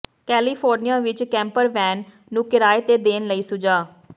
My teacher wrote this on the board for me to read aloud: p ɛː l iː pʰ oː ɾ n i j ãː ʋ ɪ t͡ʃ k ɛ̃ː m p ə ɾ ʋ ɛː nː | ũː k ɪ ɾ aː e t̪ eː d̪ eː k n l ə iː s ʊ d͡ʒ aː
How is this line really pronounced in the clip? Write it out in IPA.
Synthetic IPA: k ɛː l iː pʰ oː ɾ n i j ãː ʋ ɪ t͡ʃ k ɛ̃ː m p ə ɾ ʋ ɛː nː | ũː k ɪ ɾ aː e t̪ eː d̪ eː n l ə iː s ʊ d͡ʒ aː